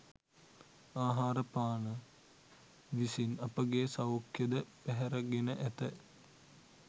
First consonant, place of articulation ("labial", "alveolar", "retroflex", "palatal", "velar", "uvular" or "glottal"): glottal